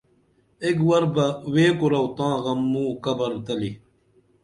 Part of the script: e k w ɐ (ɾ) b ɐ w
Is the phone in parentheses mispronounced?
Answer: no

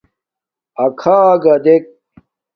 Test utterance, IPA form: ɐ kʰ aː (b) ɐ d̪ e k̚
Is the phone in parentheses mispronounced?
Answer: yes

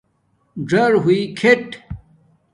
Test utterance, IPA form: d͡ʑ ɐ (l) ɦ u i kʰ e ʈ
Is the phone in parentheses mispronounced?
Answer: yes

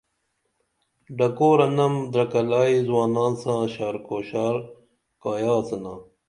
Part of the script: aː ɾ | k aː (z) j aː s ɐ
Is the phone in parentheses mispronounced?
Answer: yes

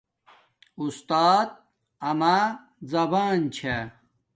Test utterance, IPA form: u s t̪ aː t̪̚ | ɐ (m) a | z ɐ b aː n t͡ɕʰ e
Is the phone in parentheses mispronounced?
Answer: no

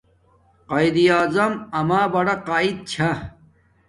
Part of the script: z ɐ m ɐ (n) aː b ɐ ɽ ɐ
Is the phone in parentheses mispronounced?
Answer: yes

